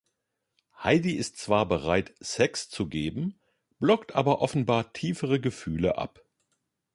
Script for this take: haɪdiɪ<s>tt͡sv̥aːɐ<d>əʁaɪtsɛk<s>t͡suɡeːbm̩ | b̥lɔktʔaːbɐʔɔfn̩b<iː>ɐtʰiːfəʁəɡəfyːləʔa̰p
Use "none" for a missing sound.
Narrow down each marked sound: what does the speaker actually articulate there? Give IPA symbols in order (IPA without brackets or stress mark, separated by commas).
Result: s, b, s, aː